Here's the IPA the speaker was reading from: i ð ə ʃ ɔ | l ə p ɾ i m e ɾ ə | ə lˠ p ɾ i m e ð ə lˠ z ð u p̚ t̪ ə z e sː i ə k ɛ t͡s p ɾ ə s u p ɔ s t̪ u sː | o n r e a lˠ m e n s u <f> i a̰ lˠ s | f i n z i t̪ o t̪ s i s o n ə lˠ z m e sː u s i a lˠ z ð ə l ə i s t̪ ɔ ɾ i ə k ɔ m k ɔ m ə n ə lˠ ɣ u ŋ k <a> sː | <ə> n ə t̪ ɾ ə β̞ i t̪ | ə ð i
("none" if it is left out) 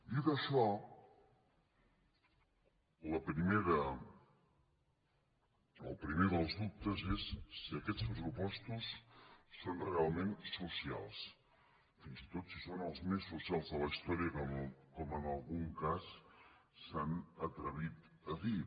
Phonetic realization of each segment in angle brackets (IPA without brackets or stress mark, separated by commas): s, a, a